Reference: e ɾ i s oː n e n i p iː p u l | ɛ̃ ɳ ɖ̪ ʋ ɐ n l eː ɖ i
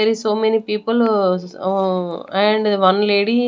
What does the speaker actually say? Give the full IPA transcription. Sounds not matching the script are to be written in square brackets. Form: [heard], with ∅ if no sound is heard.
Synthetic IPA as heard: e ɾ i s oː [m] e n i p iː p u l | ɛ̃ ɳ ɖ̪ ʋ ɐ n l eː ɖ i